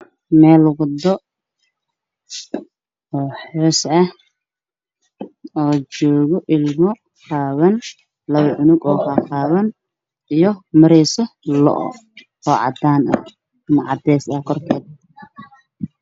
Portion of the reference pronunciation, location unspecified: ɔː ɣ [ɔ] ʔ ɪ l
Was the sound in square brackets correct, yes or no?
yes